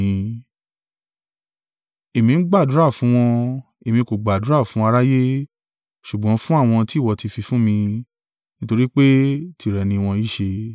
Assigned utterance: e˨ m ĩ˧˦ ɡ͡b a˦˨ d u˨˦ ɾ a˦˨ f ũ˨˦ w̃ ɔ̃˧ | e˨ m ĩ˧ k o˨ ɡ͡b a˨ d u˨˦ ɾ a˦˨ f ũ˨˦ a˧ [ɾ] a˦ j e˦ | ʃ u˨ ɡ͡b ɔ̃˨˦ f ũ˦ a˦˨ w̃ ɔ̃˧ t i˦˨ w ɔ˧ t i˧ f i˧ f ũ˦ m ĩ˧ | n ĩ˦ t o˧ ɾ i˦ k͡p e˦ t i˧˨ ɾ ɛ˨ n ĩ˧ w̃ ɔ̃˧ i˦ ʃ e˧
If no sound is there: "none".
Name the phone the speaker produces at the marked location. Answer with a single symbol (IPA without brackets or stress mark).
ɾ